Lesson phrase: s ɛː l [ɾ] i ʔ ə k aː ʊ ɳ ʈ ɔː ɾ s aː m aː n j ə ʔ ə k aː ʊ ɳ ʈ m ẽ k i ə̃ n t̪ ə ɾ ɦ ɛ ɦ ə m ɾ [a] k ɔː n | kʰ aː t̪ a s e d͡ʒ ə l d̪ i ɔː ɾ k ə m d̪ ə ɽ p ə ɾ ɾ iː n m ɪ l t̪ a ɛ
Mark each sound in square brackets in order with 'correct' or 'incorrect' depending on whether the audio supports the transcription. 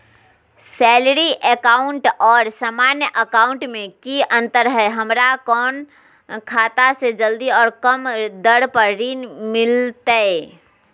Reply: correct, correct

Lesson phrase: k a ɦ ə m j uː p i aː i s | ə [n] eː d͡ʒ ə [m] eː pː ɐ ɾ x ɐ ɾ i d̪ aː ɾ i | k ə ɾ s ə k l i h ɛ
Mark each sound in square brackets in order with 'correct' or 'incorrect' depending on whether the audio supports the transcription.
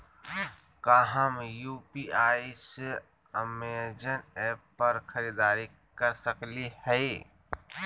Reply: incorrect, incorrect

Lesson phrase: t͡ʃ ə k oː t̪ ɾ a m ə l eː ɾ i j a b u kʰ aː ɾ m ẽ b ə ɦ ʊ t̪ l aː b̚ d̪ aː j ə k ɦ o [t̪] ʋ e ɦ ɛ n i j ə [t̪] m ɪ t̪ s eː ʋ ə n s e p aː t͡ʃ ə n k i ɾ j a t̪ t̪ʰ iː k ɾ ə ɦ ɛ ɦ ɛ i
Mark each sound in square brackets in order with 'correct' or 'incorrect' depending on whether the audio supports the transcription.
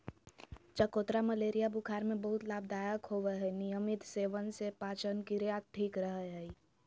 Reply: incorrect, incorrect

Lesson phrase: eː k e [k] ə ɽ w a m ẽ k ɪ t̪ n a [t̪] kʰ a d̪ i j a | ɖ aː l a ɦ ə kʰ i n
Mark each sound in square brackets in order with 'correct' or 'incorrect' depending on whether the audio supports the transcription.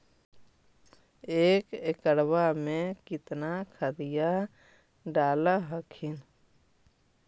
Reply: correct, incorrect

